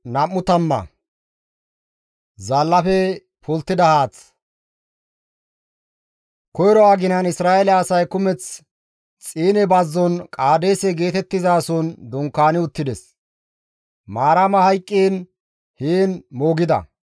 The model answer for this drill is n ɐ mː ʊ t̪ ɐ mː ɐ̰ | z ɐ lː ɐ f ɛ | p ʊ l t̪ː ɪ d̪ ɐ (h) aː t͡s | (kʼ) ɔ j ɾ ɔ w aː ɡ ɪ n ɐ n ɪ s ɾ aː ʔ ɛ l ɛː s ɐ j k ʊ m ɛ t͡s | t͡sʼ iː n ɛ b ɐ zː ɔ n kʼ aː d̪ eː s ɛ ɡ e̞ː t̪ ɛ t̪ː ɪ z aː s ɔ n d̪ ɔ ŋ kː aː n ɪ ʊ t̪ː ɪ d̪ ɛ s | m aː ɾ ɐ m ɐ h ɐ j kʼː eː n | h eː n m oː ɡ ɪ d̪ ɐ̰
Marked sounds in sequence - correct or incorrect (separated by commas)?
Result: correct, incorrect